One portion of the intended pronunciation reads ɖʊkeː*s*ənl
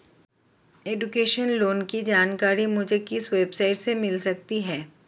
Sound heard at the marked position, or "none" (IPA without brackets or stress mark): ʃ